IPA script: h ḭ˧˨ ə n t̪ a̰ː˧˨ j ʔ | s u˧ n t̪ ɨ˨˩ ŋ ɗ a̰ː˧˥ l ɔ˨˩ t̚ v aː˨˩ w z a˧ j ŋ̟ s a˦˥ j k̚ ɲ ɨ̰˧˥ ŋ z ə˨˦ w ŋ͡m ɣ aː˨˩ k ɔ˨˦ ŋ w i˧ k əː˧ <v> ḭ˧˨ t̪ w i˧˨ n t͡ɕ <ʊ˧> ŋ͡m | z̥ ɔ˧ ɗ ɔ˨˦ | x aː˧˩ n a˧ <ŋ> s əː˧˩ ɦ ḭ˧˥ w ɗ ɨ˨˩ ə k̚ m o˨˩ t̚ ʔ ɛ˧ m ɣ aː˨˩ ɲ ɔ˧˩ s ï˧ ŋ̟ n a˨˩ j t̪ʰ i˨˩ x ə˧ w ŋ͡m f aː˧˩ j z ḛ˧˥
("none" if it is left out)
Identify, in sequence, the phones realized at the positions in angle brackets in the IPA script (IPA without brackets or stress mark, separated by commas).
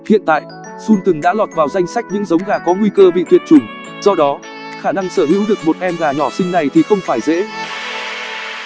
v, ʊ˨˩, ŋ